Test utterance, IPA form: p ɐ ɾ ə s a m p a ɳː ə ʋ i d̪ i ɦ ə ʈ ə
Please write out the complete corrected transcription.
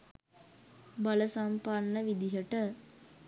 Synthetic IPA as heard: b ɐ l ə s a m p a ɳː ə ʋ i d̪ i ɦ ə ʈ ə